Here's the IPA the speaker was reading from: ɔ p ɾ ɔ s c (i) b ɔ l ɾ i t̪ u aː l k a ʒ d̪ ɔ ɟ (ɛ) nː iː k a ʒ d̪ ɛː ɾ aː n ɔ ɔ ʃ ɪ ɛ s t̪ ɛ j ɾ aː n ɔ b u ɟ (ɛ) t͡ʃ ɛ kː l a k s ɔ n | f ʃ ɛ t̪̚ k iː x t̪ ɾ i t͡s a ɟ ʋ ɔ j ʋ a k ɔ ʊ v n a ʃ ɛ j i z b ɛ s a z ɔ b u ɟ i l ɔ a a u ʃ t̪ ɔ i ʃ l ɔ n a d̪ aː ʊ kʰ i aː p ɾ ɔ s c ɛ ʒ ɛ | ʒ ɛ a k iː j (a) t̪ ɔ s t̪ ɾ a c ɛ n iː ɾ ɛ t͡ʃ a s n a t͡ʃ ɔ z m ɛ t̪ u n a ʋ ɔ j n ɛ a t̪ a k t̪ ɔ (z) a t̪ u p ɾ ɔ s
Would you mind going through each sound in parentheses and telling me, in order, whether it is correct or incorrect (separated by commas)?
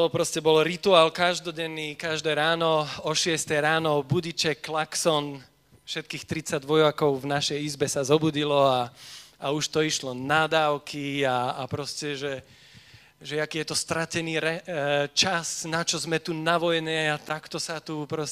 incorrect, correct, incorrect, incorrect, incorrect